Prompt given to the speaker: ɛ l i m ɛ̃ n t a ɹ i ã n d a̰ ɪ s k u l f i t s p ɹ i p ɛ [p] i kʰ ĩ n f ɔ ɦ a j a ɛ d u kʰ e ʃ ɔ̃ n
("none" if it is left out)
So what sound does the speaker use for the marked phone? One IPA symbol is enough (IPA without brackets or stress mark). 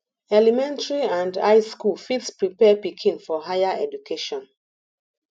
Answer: p